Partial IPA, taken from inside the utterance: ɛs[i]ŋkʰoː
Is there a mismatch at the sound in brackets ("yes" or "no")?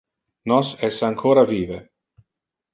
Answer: yes